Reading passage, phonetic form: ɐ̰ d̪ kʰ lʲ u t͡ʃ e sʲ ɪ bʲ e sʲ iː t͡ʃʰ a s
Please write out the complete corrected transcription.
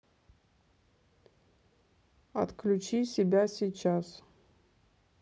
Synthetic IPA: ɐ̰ t̪ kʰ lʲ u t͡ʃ i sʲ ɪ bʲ a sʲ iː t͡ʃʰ a s